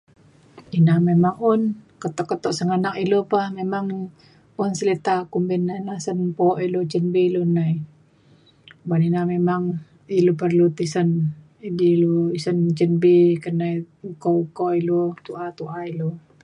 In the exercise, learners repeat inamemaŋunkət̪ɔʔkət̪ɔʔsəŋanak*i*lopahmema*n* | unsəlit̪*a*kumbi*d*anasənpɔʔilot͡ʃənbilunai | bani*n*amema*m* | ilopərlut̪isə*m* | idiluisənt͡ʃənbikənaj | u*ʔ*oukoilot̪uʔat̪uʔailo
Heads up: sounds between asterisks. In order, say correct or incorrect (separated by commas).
correct, incorrect, correct, incorrect, correct, incorrect, incorrect, incorrect